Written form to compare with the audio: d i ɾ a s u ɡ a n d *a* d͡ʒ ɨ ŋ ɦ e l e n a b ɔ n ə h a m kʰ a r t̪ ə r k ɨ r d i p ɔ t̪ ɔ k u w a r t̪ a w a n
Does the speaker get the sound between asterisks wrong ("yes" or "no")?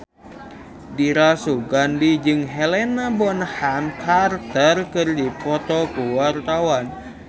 yes